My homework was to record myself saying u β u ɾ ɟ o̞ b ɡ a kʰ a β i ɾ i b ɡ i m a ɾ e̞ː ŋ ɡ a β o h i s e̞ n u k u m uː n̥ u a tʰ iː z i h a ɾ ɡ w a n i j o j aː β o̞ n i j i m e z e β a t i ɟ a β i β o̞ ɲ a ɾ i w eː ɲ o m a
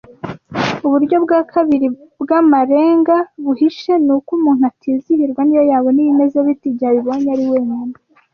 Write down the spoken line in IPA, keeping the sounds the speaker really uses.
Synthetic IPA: u β u ɾ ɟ o̞ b ɡ a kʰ a β i ɾ i b ɡ a m a ɾ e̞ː ŋ ɡ a β u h i ʃ e̞ n u k u m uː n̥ u a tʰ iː z i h i ɾ ɡ w a n i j o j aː β o̞ n i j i m e z e β i t i ɟ a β i β o̞ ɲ a ɾ i w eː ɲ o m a